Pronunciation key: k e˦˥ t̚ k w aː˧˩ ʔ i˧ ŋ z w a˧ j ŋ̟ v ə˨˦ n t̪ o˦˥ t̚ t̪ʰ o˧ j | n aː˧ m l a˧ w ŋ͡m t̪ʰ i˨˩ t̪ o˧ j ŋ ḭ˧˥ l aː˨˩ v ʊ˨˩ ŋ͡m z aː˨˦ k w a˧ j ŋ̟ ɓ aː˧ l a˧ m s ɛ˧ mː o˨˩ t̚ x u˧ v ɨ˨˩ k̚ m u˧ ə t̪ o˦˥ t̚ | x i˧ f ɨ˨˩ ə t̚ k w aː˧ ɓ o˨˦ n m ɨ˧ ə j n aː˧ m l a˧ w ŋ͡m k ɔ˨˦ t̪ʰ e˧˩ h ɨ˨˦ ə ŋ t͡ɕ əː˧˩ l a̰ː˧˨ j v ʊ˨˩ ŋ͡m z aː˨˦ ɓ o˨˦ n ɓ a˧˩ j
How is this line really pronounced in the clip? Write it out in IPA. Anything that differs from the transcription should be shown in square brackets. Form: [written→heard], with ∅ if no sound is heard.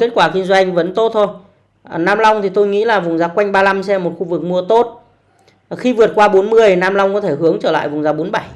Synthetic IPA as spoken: k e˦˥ t̚ k w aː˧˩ [ʔ→k] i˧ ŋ z w a˧ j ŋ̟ v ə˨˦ n t̪ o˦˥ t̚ t̪ʰ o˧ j | n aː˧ m l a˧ w ŋ͡m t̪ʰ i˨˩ t̪ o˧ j ŋ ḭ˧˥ l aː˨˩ v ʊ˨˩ ŋ͡m z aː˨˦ k w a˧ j ŋ̟ ɓ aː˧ l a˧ m s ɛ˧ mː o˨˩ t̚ x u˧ v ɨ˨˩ k̚ m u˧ ə t̪ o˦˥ t̚ | x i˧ [f→v] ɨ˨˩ ə t̚ k w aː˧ ɓ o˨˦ n m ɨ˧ ə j n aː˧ m l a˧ w ŋ͡m k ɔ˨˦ t̪ʰ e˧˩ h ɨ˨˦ ə ŋ t͡ɕ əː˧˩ l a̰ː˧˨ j v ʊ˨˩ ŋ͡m z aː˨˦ ɓ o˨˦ n ɓ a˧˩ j